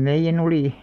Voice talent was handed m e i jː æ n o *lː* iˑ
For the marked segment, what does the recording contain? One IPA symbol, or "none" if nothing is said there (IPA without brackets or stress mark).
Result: l